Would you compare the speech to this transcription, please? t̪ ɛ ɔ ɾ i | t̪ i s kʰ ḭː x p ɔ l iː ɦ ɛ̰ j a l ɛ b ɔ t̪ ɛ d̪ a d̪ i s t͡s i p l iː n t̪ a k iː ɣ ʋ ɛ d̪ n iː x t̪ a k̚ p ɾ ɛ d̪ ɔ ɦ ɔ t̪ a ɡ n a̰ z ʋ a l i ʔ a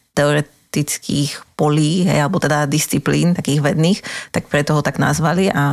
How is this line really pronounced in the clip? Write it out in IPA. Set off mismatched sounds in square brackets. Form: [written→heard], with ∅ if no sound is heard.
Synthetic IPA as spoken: t̪ ɛ ɔ ɾ [i→ɛ] | t̪ i [s→t͡s] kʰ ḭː x p ɔ l iː ɦ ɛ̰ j a l ɛ b ɔ t̪ ɛ d̪ a d̪ i s t͡s i p l iː n t̪ a k iː ɣ ʋ ɛ d̪ n iː x t̪ a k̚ p ɾ ɛ [d̪→t̪] ɔ ɦ ɔ t̪ a ɡ n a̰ z ʋ a l i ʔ a